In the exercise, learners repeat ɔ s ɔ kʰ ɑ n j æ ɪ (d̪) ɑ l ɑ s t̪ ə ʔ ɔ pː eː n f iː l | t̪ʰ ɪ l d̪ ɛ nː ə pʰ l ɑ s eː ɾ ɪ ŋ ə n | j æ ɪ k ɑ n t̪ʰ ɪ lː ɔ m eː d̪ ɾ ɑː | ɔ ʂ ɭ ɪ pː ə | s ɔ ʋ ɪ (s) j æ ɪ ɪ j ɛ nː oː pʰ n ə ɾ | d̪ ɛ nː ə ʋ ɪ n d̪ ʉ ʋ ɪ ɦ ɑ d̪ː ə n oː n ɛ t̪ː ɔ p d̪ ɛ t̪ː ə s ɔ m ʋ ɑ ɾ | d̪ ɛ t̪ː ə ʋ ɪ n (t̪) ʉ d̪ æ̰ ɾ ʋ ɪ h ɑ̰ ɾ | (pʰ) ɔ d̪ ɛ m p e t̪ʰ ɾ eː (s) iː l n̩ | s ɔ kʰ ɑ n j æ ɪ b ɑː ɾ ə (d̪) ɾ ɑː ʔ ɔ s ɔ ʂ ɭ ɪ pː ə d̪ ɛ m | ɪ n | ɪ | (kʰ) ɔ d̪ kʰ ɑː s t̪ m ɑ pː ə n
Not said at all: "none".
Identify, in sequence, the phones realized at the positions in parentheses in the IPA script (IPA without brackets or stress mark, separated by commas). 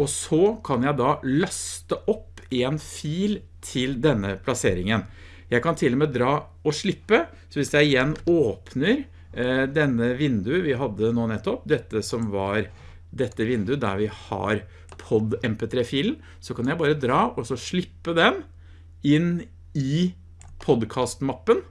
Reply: d̪, s, d̪, pʰ, f, d̪, pʰ